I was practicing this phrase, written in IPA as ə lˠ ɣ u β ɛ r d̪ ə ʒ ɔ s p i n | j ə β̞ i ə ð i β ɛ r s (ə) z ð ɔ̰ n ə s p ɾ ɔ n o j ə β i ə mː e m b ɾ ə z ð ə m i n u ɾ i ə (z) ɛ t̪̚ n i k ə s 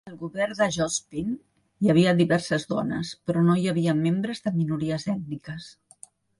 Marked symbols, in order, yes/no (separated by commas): yes, yes